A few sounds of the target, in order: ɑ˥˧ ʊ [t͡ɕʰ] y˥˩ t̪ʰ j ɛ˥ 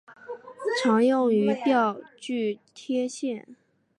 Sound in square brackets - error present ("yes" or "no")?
yes